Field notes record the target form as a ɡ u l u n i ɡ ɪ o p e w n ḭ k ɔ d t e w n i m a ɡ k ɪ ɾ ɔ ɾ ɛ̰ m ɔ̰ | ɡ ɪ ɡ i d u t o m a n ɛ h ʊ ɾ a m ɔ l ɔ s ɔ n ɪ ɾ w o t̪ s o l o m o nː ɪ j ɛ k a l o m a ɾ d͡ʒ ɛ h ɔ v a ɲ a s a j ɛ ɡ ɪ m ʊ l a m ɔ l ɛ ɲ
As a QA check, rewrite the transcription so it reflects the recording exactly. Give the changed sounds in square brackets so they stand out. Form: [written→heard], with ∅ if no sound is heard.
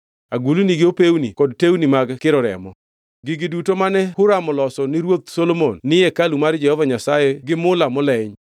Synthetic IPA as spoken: a ɡ u l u n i ɡ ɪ o p e w n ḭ k ɔ d t e w n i m a ɡ k ɪ ɾ ɔ ɾ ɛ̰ m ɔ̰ | ɡ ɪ ɡ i d u t o m a n ɛ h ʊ ɾ a m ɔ l ɔ s ɔ n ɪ ɾ w o t̪ s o l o m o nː ɪ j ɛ k a l [o→u] m a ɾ d͡ʒ ɛ h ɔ v a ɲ a s a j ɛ ɡ ɪ m ʊ l a m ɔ l ɛ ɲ